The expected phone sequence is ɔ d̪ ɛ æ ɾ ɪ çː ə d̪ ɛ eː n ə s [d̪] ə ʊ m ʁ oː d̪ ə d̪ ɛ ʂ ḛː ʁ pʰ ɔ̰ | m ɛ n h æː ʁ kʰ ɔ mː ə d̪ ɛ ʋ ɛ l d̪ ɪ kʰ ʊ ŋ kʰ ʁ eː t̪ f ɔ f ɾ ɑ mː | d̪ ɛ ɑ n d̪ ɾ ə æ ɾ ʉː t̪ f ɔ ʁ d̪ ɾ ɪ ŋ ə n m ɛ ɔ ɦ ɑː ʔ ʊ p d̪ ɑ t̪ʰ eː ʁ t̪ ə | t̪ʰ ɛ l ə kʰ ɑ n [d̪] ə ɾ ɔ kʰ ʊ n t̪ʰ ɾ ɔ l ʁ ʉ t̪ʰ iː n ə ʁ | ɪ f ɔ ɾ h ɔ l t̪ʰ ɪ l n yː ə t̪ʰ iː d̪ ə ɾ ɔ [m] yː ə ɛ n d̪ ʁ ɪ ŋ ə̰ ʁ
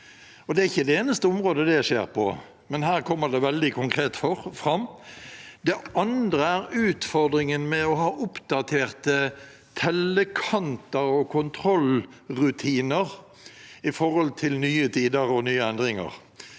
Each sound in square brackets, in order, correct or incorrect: incorrect, incorrect, incorrect

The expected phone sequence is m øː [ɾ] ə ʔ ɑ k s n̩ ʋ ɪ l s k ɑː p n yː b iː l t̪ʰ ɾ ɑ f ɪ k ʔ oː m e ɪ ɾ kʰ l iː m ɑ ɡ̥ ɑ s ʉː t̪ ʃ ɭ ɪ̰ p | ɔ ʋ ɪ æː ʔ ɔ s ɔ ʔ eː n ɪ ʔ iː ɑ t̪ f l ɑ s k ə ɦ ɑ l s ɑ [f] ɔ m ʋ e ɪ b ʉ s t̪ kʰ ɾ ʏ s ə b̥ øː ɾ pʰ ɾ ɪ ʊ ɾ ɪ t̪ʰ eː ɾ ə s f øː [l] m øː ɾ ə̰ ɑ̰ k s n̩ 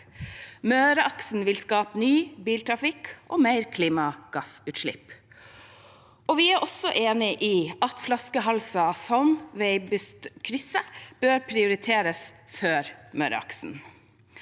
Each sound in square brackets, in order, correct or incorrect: correct, incorrect, incorrect

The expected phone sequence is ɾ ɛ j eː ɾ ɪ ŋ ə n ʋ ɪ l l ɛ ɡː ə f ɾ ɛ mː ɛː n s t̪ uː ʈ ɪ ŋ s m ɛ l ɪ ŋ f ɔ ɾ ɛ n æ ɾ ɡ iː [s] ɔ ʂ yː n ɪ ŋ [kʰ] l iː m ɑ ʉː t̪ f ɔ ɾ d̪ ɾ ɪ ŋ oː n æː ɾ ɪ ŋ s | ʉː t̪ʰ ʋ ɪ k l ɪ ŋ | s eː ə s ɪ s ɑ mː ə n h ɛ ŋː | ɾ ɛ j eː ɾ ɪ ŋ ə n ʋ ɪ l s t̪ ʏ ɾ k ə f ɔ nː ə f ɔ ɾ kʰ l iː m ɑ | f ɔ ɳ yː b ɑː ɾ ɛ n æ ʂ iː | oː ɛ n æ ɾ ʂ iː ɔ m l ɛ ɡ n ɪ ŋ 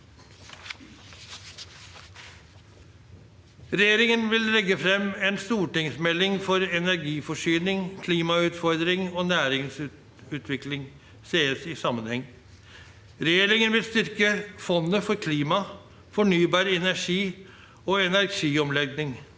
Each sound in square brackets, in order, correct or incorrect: incorrect, correct

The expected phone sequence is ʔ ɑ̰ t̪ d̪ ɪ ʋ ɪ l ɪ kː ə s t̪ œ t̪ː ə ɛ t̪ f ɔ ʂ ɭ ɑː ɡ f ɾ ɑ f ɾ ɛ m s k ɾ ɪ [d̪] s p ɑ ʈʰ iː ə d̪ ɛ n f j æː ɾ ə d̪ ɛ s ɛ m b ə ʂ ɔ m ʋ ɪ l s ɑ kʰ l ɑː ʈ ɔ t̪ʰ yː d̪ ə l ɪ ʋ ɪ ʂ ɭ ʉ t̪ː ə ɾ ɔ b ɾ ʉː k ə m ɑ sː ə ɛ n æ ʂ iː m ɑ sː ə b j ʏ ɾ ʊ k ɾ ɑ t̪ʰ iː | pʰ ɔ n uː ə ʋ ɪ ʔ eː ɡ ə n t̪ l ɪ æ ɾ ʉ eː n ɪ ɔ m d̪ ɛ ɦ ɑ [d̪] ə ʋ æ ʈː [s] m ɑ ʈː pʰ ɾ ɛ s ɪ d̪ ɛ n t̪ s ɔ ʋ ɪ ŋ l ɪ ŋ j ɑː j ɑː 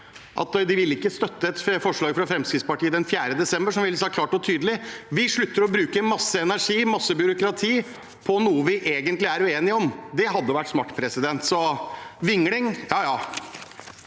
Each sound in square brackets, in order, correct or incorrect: incorrect, incorrect, correct

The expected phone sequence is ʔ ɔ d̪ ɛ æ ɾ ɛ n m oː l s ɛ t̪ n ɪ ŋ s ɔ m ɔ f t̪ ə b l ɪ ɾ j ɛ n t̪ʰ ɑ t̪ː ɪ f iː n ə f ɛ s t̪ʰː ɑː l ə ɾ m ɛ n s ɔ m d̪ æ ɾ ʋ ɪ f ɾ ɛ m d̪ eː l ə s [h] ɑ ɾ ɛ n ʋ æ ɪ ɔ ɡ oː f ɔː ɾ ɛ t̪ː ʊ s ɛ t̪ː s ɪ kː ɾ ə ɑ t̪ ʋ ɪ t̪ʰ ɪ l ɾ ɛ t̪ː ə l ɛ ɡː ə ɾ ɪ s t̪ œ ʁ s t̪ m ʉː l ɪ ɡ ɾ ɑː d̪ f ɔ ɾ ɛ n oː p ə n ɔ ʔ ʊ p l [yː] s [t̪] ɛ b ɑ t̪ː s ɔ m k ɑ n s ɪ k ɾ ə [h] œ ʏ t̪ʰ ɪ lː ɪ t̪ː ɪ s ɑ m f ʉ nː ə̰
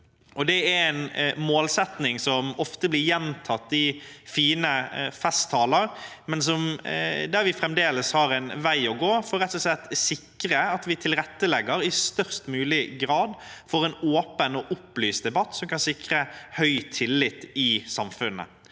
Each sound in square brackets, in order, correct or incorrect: correct, correct, incorrect, correct

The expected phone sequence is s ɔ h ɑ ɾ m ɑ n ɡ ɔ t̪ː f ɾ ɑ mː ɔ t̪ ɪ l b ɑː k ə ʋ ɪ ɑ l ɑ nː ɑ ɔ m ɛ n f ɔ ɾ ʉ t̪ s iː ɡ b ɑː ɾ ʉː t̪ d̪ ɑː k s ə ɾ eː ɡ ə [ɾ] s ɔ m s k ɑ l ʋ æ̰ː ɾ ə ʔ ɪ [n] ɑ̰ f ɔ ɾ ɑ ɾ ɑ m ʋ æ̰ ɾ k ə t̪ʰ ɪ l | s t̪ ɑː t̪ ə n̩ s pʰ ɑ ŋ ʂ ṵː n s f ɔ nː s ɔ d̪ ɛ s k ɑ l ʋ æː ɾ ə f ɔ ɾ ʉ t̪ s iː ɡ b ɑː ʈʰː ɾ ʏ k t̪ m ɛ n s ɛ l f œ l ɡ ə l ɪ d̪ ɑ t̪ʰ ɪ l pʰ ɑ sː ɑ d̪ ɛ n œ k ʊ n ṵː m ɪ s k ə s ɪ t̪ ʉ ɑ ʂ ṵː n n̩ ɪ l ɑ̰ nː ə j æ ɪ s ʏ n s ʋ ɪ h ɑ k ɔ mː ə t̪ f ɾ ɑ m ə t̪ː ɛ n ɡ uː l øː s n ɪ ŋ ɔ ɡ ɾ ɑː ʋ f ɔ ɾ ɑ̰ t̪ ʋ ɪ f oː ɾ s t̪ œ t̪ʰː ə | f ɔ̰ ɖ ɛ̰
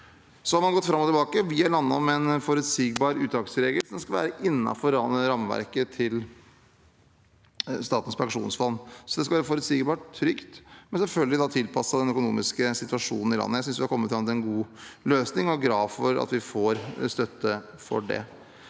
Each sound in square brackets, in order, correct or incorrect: incorrect, incorrect

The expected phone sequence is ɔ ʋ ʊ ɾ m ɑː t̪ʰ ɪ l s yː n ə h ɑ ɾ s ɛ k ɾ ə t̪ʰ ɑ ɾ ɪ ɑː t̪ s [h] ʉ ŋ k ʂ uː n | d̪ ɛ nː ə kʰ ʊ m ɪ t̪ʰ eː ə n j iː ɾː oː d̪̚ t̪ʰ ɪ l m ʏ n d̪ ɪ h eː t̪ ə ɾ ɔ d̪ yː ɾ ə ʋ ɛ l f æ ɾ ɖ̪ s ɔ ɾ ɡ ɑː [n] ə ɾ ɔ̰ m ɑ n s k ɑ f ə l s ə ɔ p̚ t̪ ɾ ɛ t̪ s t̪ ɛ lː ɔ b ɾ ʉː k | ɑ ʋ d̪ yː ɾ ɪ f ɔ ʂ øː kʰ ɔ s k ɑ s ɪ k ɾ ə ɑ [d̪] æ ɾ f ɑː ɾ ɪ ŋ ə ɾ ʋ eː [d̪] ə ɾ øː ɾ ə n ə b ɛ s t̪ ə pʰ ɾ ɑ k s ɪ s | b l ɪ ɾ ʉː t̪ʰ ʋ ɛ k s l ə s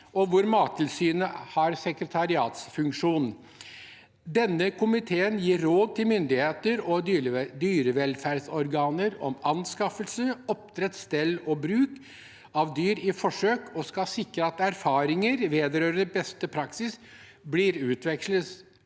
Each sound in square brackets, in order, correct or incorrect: incorrect, correct, incorrect, correct

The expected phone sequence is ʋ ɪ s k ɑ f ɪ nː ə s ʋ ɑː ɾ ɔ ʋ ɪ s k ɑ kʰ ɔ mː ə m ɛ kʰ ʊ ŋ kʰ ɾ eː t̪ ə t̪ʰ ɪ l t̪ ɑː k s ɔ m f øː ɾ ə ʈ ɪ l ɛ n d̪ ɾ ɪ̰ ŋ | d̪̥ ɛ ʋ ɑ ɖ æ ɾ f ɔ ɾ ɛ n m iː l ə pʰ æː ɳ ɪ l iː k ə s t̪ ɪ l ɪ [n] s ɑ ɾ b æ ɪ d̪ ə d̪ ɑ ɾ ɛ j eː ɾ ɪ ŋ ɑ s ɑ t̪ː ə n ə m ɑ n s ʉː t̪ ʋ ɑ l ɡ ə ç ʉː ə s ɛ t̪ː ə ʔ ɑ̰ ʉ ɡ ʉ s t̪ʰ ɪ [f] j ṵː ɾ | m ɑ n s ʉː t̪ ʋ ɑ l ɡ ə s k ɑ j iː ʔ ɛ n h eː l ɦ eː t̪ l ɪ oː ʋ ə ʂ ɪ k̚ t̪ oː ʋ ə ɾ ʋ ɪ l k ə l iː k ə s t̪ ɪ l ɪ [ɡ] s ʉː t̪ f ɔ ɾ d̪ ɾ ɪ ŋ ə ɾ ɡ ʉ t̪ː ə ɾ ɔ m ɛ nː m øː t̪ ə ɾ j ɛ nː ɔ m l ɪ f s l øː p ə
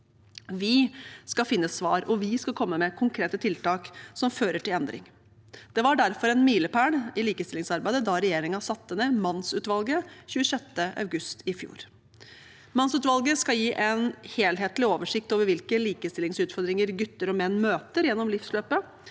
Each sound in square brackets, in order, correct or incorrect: incorrect, correct, incorrect

